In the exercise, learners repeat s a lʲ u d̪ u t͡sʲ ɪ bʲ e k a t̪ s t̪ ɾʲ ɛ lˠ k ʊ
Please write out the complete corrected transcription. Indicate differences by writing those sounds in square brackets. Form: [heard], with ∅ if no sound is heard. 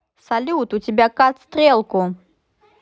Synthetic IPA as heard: s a lʲ u [t̪] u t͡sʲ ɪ bʲ [a] k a t̪ s t̪ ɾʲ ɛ lˠ k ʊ